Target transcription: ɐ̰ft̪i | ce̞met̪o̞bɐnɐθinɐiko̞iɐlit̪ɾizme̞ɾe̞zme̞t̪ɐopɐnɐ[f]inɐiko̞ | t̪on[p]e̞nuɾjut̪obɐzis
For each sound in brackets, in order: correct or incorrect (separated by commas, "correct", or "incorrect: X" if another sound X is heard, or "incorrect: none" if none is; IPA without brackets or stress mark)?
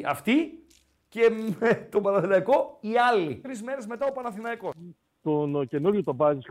incorrect: θ, incorrect: c